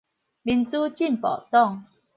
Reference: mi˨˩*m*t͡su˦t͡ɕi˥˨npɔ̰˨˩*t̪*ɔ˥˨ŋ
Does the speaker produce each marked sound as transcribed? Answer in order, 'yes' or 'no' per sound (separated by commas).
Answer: no, yes